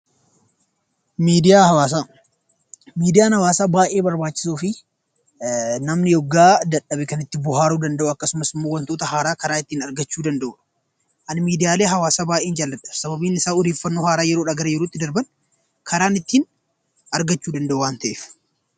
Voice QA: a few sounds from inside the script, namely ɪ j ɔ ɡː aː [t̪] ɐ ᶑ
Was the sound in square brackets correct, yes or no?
no